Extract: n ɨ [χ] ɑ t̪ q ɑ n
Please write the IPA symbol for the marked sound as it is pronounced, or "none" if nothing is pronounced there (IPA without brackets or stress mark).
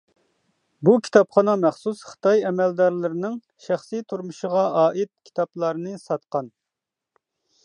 s